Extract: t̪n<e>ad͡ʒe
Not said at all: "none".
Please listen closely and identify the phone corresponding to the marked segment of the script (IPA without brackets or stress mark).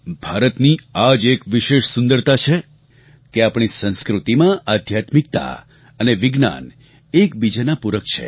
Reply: i